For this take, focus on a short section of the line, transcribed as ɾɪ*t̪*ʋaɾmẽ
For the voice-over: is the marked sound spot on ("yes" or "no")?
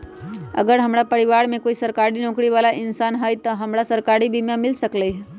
no